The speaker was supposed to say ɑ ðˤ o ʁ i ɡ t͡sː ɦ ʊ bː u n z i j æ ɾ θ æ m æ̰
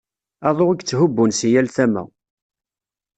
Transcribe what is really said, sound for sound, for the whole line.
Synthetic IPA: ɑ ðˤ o ʁ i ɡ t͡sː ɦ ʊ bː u n s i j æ l θ æ m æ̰